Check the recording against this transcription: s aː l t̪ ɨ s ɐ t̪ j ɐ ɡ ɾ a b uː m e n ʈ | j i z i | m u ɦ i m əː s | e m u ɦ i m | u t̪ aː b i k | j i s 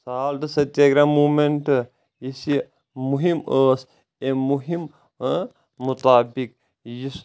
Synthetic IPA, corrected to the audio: s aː l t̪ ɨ s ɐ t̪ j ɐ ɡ ɾ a m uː m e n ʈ | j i s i | m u ɦ i m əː s | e m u ɦ i m | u t̪ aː b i k | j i s